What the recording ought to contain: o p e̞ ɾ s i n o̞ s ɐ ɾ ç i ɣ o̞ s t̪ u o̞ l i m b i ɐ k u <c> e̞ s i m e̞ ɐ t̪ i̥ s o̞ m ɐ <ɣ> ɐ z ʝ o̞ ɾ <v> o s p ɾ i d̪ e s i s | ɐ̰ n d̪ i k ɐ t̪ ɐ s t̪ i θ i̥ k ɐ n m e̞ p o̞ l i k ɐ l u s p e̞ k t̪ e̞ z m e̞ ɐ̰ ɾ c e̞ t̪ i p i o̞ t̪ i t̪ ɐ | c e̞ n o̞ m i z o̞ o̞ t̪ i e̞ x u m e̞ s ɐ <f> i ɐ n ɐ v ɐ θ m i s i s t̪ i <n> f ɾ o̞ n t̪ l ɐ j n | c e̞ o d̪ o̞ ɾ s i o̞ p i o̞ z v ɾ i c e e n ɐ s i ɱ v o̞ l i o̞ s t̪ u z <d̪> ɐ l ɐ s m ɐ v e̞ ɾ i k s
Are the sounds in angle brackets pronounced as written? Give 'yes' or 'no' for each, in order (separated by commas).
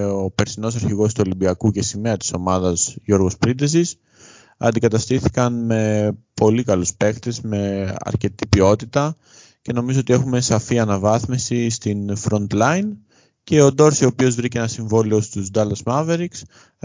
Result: yes, no, no, yes, yes, yes